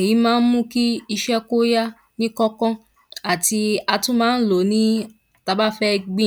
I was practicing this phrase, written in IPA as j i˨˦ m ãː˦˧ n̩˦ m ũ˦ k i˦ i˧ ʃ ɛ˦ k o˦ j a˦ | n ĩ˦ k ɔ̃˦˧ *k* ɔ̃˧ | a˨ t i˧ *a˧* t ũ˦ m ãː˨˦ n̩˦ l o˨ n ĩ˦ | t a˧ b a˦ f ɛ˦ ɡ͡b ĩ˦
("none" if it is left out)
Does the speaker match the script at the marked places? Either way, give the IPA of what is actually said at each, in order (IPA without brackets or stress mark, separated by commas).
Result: k, a˧